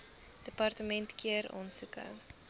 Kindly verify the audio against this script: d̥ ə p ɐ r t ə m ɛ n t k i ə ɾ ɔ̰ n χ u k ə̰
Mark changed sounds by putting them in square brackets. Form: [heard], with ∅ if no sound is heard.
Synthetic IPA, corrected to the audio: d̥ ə p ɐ r t ə m ɛ n t k i ə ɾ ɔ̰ n [s] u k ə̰